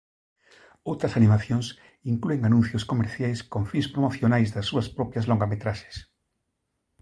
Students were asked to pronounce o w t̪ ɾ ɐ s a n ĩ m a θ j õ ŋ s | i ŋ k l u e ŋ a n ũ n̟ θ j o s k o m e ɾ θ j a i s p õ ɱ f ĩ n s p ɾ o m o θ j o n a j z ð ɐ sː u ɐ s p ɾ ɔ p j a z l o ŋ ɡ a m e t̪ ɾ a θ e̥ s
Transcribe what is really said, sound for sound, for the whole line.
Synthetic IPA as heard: o w t̪ ɾ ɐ s a n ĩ m a θ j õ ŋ s | i ŋ k l u e ŋ a n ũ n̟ θ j o s k o m e ɾ θ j a j s k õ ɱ f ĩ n s p ɾ o m o θ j o n a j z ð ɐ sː u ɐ s p ɾ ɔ p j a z l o ŋ ɡ a m e t̪ ɾ a ʃ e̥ s

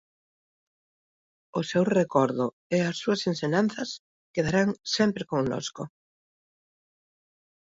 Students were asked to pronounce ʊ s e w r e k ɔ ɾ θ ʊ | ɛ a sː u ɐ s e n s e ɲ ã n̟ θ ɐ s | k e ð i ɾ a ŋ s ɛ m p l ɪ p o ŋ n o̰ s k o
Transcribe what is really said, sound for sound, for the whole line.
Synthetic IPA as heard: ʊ s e w r e k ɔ ɾ ð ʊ | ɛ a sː u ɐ s e n s e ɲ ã n̟ θ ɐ s | k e ð a ɾ a ŋ s ɛ m p ɾ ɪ k o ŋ n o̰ s k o

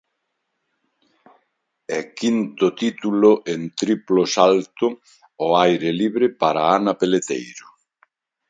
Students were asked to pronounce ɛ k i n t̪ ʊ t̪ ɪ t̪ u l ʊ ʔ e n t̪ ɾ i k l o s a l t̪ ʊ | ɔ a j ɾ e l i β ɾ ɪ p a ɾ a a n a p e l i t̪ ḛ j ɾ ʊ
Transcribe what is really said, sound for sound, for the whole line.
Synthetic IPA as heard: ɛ k i n t̪ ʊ t̪ i t̪ u l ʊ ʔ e n t̪ ɾ i p l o s a l t̪ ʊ | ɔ a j ɾ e l i β ɾ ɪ p a ɾ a a n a p e l e t̪ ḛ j ɾ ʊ

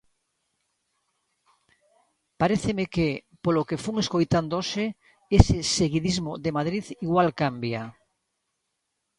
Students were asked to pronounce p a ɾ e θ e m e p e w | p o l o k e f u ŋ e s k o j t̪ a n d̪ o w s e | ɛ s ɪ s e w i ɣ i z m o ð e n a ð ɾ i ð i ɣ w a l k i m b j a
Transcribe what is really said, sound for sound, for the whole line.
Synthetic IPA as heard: p a ɾ e θ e m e k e | p o l o k e f u ŋ e s k o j t̪ a n d̪ o s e | e s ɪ s e ɣ i ð i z m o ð e m a ð ɾ i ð i ɣ w a l k a m b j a

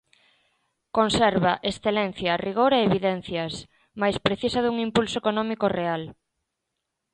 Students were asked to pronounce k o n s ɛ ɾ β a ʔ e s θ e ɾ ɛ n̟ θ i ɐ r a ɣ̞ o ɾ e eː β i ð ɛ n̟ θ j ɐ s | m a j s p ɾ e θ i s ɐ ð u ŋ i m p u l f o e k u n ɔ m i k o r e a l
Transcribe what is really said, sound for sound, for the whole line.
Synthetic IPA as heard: k o n s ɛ ɾ β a ʔ e s θ e l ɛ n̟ θ j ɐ r i ɣ̞ o ɾ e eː β i ð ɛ n̟ θ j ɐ s | m a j s p ɾ e θ i s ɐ ð u ŋ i m p u l s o e k o n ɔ m i k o r e a l

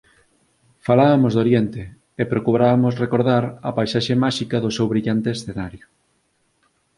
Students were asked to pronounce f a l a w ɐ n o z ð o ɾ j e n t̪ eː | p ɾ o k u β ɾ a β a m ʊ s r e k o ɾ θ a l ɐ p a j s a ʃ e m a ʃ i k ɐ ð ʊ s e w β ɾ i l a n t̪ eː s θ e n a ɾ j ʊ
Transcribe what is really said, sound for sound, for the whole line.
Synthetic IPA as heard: f a l a β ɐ m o z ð o ɾ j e n t̪ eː | p ɾ o k u β ɾ a β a m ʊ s r e k o ɾ ð a ɾ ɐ p a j s a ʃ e m a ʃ i k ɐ ð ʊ s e w β ɾ i ʎ a n t̪ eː s θ e n a ɾ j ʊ

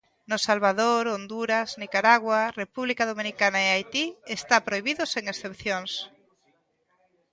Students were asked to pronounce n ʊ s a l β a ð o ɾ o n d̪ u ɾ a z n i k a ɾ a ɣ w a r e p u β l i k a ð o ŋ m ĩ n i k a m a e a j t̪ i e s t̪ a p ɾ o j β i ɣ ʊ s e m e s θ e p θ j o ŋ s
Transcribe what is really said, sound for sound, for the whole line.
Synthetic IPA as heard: n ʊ s a l β a ð o ɾ o n d̪ u ɾ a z n i k a ɾ a ɣ w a r e p u β l i k a ð o m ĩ n i k a n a e a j t̪ i e s t̪ a p ɾ o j β i ð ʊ s e ŋ e s θ e p θ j o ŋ s

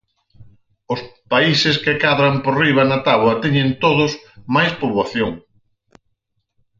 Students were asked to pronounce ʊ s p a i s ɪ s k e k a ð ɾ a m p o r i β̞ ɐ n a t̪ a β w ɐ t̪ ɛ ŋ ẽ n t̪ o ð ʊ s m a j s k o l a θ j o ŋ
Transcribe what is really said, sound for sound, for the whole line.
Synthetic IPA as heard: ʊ s p a i s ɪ s k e k a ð ɾ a m p o r i β̞ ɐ n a t̪ a β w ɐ t̪ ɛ ɲ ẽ n t̪ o ð ʊ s m a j s p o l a θ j o ŋ

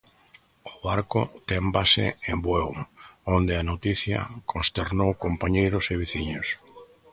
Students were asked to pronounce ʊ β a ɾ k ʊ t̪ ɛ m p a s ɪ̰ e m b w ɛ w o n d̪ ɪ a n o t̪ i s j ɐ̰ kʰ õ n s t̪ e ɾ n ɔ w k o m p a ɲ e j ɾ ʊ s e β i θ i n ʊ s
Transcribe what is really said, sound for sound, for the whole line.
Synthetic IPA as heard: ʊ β a ɾ k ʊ t̪ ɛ m b a s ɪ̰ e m b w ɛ w o n d̪ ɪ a n o t̪ i θ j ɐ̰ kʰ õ n s t̪ e ɾ n o w k o m p a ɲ e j ɾ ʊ s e β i θ i ɲ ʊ s

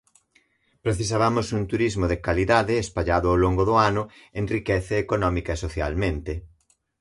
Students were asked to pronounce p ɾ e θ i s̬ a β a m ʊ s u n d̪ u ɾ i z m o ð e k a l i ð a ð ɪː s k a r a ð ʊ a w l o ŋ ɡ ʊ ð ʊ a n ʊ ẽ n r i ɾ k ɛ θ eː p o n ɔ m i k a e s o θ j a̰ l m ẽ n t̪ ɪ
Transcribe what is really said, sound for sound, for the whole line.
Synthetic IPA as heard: p ɾ e θ i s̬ a β a m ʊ s u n t̪ u ɾ i z m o ð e k a l i ð a ð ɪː s p a ʎ a ð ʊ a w l o ŋ ɡ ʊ ð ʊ a n ʊ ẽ n r i k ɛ θ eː k o n ɔ m i k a e s o θ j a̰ l m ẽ n t̪ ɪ

